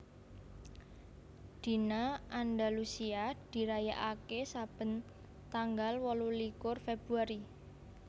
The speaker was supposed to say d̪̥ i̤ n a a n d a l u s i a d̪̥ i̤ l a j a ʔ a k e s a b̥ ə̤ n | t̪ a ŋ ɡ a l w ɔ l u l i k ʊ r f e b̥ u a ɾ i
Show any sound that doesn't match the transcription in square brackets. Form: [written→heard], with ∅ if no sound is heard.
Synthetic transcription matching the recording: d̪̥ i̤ n a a n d a l u s i a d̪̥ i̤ [l→ɾ] a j a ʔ a k e s a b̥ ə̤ n | t̪ a ŋ ɡ a l w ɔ l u l i k ʊ r f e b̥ u a ɾ i